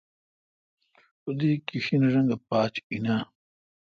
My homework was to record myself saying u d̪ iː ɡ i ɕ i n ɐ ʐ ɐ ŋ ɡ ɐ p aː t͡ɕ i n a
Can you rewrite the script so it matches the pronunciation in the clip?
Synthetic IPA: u d̪ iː k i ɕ i n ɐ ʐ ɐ ŋ ɡ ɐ p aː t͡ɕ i n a